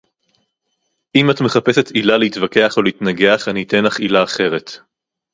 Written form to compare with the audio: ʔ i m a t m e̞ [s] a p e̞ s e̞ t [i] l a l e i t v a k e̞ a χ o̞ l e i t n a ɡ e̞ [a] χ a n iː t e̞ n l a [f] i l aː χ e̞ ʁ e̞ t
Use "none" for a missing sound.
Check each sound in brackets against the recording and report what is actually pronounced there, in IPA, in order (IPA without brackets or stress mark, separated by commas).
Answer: χ, i, a, χ